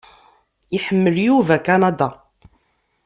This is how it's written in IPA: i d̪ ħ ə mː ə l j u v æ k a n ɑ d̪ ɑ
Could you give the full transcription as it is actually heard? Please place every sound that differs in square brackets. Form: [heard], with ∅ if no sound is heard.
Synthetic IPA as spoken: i [∅] ħ ə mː ə l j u v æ k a n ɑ d̪ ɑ